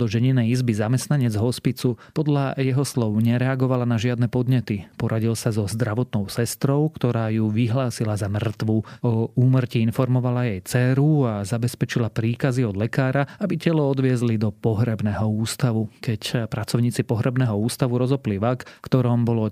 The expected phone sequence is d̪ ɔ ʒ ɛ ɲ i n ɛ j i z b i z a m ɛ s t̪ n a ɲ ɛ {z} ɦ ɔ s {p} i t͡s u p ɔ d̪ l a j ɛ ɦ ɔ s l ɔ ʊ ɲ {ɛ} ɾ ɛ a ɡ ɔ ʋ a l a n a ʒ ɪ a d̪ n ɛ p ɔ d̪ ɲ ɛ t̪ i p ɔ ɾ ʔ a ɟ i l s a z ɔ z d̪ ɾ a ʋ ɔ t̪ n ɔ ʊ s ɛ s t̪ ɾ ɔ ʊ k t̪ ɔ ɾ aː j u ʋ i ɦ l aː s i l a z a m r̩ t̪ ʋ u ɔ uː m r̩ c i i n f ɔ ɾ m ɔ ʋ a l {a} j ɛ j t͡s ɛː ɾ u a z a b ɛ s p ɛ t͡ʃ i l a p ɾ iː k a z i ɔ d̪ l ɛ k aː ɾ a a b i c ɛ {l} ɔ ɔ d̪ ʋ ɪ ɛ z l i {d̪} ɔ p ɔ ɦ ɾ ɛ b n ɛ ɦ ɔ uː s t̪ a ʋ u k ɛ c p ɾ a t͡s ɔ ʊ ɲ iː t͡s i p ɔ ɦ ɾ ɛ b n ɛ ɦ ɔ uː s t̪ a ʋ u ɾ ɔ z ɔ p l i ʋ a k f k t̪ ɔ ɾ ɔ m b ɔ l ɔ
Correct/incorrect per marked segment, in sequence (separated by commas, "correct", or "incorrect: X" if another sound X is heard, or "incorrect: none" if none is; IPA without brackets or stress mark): incorrect: d͡z, correct, correct, correct, correct, correct